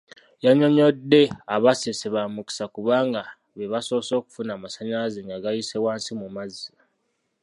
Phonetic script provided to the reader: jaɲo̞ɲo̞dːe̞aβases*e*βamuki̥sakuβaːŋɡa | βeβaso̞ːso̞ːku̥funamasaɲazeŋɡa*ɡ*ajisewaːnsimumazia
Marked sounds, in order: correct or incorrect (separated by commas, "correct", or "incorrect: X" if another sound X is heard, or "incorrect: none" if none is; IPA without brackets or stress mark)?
correct, correct